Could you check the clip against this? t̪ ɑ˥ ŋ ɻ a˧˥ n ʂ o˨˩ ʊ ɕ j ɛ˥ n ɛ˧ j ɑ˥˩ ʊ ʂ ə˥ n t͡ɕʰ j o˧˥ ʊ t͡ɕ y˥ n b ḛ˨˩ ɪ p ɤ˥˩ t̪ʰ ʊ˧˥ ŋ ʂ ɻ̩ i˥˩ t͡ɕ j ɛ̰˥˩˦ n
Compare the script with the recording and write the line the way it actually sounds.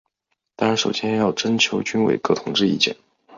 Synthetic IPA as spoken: t̪ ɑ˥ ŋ ɻ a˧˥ n ʂ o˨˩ ʊ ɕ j ɛ˥ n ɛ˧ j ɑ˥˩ ʊ ʈ͡ʂ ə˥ n t͡ɕʰ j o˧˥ ʊ t͡ɕ y˥ n w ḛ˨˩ ɪ k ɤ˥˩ t̪ʰ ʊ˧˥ ŋ ʈ͡ʂ ɻ̩ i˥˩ t͡ɕ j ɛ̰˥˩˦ n